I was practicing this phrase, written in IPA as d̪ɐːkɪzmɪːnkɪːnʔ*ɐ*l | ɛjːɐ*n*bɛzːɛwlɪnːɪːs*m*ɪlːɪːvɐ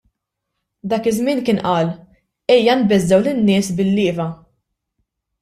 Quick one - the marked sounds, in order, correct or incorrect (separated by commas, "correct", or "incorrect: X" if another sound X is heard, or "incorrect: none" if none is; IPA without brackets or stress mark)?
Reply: incorrect: ɐː, correct, incorrect: b